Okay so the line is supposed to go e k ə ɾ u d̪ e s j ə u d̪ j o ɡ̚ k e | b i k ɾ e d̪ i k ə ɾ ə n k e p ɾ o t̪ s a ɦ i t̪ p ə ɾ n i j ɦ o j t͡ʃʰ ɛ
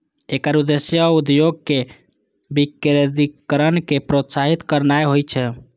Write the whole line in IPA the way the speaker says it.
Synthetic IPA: e k ə ɾ u d̪ e s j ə u d̪ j o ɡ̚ k e | b i k ɾ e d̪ i k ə ɾ ə n k e p ɾ o t̪ s a ɦ i t̪ k ə ɾ n a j ɦ o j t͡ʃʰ ɛ